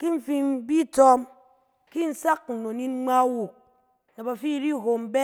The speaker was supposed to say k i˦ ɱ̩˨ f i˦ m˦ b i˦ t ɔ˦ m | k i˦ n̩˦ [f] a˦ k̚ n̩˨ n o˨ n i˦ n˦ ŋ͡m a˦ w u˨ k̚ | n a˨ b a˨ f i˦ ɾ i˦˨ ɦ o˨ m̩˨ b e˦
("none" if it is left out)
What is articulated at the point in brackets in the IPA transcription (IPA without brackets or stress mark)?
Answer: s